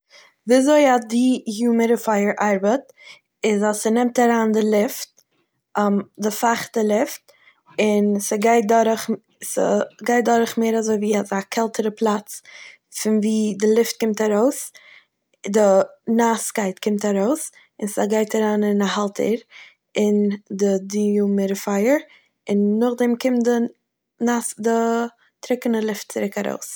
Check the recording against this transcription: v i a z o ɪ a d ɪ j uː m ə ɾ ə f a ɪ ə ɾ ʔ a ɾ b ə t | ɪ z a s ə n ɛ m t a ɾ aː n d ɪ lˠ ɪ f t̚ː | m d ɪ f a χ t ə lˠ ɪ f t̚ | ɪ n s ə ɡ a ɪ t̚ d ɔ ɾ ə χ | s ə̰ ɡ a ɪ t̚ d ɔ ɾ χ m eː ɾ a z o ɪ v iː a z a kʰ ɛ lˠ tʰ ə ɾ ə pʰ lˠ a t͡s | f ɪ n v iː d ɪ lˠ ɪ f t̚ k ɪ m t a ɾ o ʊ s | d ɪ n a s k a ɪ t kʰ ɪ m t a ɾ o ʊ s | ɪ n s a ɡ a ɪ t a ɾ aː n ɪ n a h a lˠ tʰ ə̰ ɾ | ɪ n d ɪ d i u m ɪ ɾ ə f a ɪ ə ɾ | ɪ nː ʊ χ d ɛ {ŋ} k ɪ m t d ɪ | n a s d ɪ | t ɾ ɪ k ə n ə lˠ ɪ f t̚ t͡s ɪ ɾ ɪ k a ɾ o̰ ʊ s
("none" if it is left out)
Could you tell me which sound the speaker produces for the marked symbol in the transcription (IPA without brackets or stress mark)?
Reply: m